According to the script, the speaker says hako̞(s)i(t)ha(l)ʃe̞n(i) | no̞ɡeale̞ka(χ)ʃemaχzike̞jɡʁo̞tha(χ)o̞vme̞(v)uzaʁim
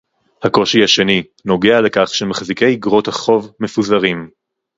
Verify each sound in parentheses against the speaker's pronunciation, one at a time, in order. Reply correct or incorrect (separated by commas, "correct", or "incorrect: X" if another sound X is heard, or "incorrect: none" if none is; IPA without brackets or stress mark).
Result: incorrect: ʃ, incorrect: none, incorrect: none, correct, correct, correct, incorrect: f